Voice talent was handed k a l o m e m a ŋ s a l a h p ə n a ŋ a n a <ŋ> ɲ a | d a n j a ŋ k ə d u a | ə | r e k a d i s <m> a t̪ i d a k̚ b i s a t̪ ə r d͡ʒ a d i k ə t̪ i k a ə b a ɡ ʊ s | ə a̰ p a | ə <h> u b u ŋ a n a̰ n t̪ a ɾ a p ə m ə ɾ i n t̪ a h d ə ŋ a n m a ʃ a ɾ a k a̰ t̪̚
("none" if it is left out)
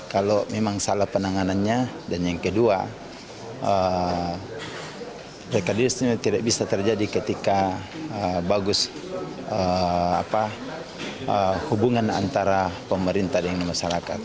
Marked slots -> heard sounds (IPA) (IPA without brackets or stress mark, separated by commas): n, ɲ, h